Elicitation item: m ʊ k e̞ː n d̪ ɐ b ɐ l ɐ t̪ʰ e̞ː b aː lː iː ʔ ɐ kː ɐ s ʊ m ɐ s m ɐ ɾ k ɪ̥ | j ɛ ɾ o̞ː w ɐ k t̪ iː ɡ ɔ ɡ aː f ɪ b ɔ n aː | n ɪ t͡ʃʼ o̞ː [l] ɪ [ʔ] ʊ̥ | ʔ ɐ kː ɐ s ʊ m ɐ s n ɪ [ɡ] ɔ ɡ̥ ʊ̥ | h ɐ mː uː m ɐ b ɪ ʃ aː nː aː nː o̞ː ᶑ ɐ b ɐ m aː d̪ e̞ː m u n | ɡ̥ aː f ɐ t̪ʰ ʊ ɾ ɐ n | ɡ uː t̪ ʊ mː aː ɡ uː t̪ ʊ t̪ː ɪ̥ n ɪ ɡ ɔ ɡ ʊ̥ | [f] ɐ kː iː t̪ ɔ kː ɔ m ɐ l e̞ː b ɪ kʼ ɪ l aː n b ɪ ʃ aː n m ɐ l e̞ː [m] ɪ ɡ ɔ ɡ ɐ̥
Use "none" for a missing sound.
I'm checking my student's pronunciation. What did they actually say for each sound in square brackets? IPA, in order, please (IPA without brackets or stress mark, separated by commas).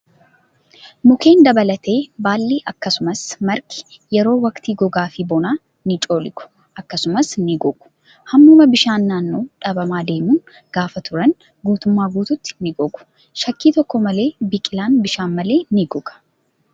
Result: l, k, ɡ, ʃ, n